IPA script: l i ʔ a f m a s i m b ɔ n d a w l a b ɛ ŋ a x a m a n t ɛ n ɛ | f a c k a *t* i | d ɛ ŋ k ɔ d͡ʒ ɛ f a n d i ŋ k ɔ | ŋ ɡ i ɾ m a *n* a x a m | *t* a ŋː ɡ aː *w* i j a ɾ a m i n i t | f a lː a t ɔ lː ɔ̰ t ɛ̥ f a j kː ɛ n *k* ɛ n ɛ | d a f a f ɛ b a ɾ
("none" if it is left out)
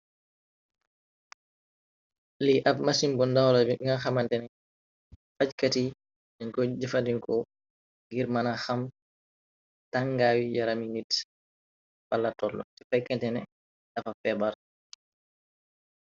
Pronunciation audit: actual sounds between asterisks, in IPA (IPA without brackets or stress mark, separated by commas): t, n, t, w, t